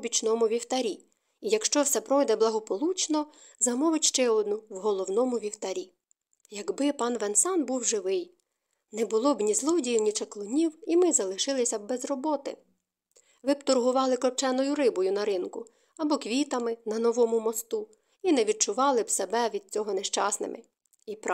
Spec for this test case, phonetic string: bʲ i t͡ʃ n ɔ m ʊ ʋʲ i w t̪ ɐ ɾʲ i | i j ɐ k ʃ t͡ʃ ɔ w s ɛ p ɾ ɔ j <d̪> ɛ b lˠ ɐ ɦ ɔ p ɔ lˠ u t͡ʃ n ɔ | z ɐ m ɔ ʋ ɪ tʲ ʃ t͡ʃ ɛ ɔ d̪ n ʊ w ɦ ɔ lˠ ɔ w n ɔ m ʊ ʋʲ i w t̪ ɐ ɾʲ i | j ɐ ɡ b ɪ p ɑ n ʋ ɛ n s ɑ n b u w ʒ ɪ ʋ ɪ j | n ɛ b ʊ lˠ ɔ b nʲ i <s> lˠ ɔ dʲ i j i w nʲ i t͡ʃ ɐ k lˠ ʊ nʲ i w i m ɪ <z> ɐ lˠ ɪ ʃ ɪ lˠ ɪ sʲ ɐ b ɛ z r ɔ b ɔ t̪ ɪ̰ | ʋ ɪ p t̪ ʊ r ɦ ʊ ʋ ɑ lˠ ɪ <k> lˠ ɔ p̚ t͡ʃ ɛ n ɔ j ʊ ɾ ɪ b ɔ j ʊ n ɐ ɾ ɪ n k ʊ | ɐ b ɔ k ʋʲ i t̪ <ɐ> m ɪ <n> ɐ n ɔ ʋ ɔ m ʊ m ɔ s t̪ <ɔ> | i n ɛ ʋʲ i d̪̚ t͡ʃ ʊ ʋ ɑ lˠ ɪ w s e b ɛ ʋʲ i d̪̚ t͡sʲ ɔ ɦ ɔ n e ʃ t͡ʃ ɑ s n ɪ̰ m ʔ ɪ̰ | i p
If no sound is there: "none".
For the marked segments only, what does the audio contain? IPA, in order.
d̪, z, z, k, ɐ, n, u

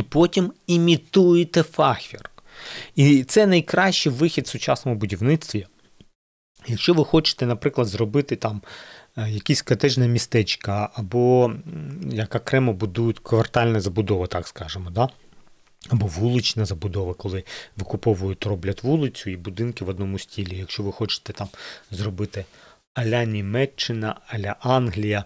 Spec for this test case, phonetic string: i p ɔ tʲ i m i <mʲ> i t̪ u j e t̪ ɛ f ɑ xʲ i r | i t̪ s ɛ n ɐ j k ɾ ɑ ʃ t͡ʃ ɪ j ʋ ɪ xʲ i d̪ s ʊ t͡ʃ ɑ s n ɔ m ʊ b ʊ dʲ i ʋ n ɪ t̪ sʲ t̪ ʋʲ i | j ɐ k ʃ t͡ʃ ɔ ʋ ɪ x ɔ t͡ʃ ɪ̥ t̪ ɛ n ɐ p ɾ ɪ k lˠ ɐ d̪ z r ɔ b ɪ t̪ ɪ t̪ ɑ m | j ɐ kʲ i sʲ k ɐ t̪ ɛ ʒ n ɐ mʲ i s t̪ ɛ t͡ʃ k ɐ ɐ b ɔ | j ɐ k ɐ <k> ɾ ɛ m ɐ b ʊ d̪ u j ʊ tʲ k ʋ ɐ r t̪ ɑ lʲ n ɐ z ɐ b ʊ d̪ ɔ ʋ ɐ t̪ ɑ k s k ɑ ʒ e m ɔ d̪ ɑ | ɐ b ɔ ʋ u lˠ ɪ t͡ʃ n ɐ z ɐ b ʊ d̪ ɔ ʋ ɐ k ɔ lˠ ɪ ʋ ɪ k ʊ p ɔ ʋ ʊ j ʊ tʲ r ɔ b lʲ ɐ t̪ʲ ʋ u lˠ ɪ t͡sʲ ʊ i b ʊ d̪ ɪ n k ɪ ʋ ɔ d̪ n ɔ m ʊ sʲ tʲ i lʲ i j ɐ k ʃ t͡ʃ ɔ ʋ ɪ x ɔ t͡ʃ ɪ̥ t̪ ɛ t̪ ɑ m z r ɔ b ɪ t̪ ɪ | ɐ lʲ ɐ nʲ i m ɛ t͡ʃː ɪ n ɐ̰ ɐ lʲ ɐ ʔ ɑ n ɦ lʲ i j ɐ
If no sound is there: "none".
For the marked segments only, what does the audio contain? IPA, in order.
mʲ, k

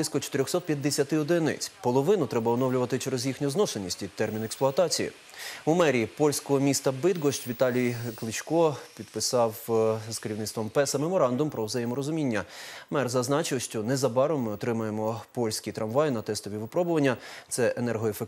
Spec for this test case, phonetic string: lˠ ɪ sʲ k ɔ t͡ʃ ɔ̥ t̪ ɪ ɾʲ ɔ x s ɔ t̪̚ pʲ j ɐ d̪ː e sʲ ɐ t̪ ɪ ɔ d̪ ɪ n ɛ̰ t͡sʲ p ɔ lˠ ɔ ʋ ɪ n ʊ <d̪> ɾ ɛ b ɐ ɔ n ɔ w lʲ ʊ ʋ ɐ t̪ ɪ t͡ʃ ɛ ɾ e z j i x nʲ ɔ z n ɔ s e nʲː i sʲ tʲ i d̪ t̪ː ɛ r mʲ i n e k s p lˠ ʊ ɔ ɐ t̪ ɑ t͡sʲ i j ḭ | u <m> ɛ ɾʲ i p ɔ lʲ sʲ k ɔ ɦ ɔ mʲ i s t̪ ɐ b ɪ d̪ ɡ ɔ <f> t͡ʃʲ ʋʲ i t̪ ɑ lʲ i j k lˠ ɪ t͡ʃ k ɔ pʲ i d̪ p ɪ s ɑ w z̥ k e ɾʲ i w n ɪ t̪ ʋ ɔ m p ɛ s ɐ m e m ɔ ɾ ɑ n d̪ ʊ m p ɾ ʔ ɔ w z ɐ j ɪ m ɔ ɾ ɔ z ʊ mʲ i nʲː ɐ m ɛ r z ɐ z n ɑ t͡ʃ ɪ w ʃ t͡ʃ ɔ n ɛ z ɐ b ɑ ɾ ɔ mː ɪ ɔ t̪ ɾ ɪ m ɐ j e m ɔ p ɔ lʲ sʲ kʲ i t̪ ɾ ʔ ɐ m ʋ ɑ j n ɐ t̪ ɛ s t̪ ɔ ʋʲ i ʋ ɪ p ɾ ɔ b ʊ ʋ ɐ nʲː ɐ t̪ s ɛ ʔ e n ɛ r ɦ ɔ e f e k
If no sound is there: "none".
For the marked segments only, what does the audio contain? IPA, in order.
t̪, m, ʃ

